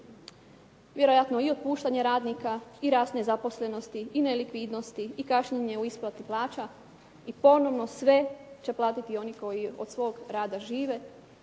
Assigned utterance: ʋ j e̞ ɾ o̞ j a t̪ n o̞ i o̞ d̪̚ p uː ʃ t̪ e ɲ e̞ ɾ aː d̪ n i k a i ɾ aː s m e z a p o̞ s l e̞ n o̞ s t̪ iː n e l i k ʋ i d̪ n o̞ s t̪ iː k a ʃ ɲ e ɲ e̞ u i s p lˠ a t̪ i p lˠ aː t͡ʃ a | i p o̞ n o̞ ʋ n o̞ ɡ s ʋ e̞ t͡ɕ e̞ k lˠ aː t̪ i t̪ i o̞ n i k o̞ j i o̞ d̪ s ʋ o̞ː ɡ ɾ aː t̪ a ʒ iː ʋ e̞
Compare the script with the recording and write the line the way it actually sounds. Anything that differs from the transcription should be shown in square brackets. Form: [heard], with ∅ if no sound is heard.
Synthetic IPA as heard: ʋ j e̞ ɾ o̞ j a t̪ n o̞ i o̞ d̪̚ p uː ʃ t̪ [a] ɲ e̞ ɾ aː d̪ n i k a i ɾ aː s [n] e z a p o̞ s l e̞ n o̞ s t̪ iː n e l i k ʋ i d̪ n o̞ s t̪ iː k a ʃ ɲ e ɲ e̞ u i s p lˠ a t̪ i p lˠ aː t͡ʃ a | i p o̞ n o̞ ʋ n o̞ [∅] s ʋ e̞ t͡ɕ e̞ [p] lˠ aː t̪ i t̪ i o̞ n i k o̞ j i o̞ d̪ s ʋ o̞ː ɡ ɾ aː [d̪] a ʒ iː ʋ e̞

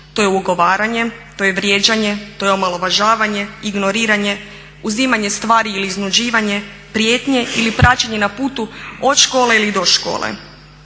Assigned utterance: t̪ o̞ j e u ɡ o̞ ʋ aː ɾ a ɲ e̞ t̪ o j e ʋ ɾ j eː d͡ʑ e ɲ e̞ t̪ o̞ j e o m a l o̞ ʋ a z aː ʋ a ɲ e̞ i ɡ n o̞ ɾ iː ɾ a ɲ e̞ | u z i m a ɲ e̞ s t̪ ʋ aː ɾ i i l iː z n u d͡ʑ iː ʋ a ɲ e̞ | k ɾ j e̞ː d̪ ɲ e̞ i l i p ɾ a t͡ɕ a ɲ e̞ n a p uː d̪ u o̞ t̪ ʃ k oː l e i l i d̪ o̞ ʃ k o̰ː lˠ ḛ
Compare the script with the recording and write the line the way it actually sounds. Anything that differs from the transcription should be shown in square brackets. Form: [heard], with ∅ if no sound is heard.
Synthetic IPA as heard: t̪ o̞ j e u ɡ o̞ ʋ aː ɾ a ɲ e̞ t̪ o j e ʋ ɾ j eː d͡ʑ [a] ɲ e̞ t̪ o̞ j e o m a l o̞ ʋ a [ʒ] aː ʋ a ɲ e̞ i ɡ n o̞ ɾ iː ɾ a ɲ e̞ | u z i m a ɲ e̞ s t̪ ʋ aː ɾ i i l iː z n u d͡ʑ iː ʋ a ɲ e̞ | [p] ɾ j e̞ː [t̪] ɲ e̞ i l i p ɾ a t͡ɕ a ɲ e̞ n a p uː [t̪] u o̞ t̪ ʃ k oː l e i l i d̪ o̞ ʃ k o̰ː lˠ ḛ

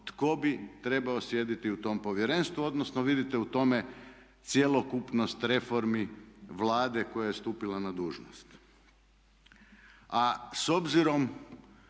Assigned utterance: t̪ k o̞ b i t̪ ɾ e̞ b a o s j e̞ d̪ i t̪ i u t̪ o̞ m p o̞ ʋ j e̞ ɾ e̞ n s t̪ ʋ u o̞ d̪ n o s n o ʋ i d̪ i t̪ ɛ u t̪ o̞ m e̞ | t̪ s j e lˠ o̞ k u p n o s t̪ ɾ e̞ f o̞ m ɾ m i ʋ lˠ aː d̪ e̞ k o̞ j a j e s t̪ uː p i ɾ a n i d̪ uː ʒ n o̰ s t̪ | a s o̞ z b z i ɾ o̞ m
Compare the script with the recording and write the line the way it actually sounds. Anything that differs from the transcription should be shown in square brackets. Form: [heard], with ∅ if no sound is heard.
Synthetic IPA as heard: t̪ k o̞ b i t̪ ɾ e̞ b a o s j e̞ d̪ i t̪ i u t̪ o̞ m p o̞ ʋ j e̞ ɾ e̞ n s t̪ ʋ u o̞ d̪ n o s n o ʋ i d̪ i t̪ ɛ u t̪ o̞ m e̞ | t̪ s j e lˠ o̞ k u p n o s t̪ ɾ e̞ f o̞ [∅] ɾ m i ʋ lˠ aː d̪ e̞ k o̞ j a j e s t̪ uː p i [l] a n [a] d̪ uː ʒ n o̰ s t̪ | a s o̞ [∅] b z i ɾ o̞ m

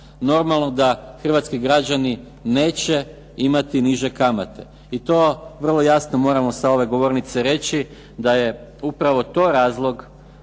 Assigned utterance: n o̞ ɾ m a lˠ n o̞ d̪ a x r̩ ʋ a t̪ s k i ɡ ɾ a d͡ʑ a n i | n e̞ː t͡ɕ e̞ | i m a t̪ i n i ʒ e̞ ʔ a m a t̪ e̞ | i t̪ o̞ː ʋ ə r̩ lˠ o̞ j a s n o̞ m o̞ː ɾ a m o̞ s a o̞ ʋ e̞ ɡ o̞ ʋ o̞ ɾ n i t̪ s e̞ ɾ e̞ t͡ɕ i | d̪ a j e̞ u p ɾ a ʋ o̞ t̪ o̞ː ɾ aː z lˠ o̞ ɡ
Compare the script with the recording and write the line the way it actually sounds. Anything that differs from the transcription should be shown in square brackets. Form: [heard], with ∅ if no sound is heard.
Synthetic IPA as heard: n o̞ ɾ m a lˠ n o̞ d̪ a x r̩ ʋ a t̪ s k i ɡ ɾ a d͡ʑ a n i | n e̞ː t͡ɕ e̞ | i m a t̪ i n i ʒ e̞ [k] a m a t̪ e̞ | i t̪ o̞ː ʋ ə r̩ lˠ o̞ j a s n o̞ m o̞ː ɾ a m o̞ s a o̞ ʋ e̞ ɡ o̞ ʋ o̞ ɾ n i t̪ s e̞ ɾ e̞ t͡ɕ i | d̪ a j e̞ u p ɾ a ʋ o̞ t̪ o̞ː ɾ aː z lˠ o̞ ɡ

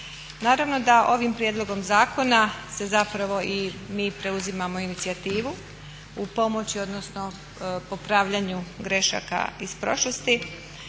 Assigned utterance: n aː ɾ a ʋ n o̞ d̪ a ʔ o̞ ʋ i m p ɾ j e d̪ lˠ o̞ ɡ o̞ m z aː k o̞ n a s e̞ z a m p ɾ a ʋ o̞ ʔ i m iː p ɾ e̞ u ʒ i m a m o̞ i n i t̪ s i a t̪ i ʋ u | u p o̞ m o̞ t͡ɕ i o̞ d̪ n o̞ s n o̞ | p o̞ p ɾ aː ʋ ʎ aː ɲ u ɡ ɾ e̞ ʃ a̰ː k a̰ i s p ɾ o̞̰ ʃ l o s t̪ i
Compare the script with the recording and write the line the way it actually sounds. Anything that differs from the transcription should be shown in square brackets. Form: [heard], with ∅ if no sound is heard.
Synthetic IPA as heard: n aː ɾ a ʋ n o̞ d̪ a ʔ o̞ ʋ i m p ɾ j e d̪ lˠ o̞ ɡ o̞ m z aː k o̞ n a s e̞ z a [∅] p ɾ a ʋ o̞ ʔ i m iː p ɾ e̞ u [z] i m a m o̞ i n i t̪ s i a t̪ [iː] ʋ u | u p o̞ m o̞ t͡ɕ i o̞ d̪ n o̞ s n o̞ | p o̞ p ɾ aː ʋ ʎ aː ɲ u ɡ ɾ e̞ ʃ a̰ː k a̰ i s p ɾ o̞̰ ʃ l o s t̪ i

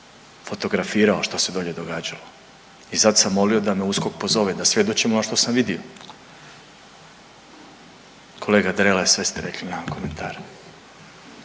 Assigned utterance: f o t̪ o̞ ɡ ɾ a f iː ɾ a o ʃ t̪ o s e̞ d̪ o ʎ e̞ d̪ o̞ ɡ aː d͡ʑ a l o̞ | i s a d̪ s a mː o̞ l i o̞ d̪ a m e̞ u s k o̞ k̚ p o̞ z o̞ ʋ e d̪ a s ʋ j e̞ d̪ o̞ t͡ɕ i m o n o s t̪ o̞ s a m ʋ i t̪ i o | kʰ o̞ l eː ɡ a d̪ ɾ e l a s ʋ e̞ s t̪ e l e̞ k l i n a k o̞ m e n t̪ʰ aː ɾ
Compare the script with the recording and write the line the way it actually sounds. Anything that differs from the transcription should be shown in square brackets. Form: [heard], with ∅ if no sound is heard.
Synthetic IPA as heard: f o t̪ o̞ ɡ ɾ a f iː ɾ a o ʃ t̪ o s e̞ d̪ o ʎ e̞ d̪ o̞ ɡ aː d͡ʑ a l o̞ | i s a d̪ s a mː o̞ l i o̞ d̪ a m e̞ u s k o̞ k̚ p o̞ z o̞ ʋ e d̪ a s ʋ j e̞ d̪ o̞ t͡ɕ i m o n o [ʃ] t̪ o̞ s a m ʋ i [d̪] i o | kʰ o̞ l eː ɡ a d̪ ɾ e l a s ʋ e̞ s t̪ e [ɾ] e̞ k l i n a k o̞ m e n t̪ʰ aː ɾ

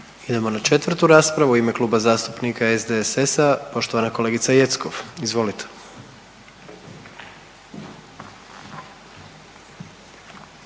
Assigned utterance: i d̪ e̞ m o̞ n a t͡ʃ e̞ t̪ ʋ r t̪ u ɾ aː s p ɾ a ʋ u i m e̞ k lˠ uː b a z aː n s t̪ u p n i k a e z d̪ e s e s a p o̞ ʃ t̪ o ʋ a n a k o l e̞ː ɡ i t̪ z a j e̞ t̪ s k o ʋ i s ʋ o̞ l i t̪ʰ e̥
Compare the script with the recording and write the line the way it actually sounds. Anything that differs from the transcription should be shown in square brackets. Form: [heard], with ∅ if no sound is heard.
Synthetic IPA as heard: i d̪ e̞ m o̞ n a t͡ʃ e̞ t̪ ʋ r t̪ u ɾ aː s p ɾ a ʋ u i m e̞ k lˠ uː b a z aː [∅] s t̪ u p n i k a e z d̪ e s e s a p o̞ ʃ t̪ o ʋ a n a k o l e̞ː ɡ i t̪ [s] a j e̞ t̪ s k o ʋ i [z] ʋ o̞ l i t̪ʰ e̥

